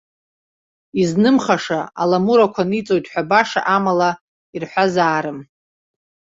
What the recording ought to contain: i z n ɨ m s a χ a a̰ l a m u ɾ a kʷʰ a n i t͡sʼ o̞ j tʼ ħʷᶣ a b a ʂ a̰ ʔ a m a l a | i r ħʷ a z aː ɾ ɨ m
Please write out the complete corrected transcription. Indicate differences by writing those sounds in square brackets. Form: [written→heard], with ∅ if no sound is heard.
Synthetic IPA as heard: i z n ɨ m [s→χ] a [χ→ʂ] a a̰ l a m u ɾ a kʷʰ a n i t͡sʼ o̞ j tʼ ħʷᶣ a b a ʂ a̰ ʔ a m a l a | i r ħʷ a z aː ɾ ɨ m